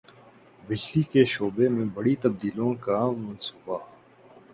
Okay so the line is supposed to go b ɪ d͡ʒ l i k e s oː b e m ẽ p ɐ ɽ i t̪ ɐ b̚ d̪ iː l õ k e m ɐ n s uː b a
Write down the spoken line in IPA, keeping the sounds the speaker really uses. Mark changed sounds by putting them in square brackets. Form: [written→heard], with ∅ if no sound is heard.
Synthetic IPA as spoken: b ɪ d͡ʒ l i k e [s→ʃ] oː b e m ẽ [p→b] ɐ ɽ i t̪ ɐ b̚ d̪ iː l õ k [e→a] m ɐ n s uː b a

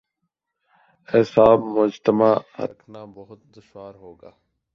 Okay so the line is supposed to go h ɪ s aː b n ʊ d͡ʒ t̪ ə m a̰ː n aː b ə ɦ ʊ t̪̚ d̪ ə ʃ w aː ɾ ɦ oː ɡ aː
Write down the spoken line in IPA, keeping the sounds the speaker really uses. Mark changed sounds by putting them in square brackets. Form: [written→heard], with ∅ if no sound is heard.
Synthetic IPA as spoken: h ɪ s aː b [n→m] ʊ d͡ʒ t̪ ə m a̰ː n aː b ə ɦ ʊ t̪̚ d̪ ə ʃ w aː ɾ ɦ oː ɡ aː

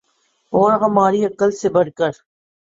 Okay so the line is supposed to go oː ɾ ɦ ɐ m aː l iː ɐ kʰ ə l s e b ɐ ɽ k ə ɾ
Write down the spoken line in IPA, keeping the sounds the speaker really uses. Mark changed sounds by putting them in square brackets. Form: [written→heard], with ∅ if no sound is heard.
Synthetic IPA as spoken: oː ɾ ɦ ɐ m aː [l→ɾ] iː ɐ [kʰ→k] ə l s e b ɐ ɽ k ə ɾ

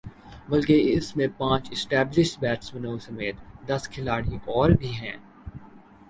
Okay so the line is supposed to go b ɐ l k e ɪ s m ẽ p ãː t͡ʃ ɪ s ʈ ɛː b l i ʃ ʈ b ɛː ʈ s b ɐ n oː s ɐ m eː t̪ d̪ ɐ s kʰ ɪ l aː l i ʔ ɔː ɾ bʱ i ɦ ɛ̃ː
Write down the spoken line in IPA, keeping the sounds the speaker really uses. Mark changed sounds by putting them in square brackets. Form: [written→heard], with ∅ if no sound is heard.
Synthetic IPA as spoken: b ɐ l k e ɪ s m ẽ p ãː t͡ʃ ɪ s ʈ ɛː b l [i→ɪ] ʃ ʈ b ɛː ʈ s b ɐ n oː s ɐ m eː t̪ d̪ ɐ s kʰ ɪ l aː [l→ɽ] i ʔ ɔː ɾ bʱ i ɦ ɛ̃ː

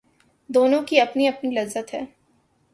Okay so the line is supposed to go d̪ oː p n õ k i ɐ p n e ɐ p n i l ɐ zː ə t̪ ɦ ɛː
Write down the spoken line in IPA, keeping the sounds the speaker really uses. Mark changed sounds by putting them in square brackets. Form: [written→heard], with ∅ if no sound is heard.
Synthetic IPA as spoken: d̪ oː [p→∅] n õ k i ɐ p n [e→i] ɐ p n i l ɐ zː ə t̪ ɦ ɛː

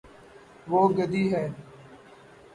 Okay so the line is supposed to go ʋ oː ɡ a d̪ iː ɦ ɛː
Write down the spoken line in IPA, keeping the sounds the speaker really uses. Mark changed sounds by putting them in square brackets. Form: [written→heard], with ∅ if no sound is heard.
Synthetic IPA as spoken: ʋ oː ɡ [a→ə] d̪ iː ɦ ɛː

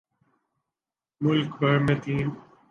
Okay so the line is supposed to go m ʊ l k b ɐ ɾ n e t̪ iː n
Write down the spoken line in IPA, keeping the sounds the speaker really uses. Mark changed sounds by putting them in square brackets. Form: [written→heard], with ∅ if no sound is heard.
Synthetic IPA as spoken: m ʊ l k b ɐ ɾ [n→m] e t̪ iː n

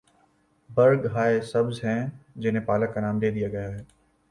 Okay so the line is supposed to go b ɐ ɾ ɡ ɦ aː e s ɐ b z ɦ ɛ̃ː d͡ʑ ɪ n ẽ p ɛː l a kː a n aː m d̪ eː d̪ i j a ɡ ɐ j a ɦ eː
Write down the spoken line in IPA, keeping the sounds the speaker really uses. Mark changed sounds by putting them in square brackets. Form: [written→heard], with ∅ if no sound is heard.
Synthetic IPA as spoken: b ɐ ɾ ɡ ɦ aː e s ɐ b z ɦ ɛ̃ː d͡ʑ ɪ n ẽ p [ɛː→aː] l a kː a n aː m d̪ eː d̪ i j a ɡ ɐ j a ɦ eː

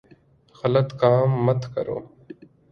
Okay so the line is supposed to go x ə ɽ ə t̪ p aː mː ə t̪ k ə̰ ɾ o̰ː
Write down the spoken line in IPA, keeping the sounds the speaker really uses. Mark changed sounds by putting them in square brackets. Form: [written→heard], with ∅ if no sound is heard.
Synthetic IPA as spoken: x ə [ɽ→l] ə t̪ [p→k] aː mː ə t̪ k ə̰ ɾ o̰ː

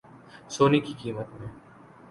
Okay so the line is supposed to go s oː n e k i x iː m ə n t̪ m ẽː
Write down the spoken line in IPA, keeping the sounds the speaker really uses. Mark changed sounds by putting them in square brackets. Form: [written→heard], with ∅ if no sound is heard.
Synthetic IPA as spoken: s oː n [e→i] k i [x→k] iː m ə [n→∅] t̪ m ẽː

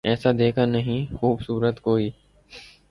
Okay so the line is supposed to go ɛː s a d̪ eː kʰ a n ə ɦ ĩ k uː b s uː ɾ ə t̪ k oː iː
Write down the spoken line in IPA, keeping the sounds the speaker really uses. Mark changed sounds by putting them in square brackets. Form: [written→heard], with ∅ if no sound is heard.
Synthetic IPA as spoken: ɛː s a d̪ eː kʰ a n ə ɦ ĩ [k→x] uː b s uː ɾ ə t̪ k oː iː

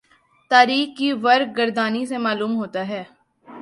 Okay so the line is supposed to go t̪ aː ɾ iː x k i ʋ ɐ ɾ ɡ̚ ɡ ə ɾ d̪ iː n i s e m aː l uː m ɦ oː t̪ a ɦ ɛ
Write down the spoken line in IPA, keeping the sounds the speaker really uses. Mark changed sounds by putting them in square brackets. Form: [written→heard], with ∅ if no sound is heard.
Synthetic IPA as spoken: t̪ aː ɾ iː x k i ʋ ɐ ɾ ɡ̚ ɡ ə ɾ d̪ [iː→aː] n i s e m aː l uː m ɦ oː t̪ a ɦ [ɛ→ɛː]

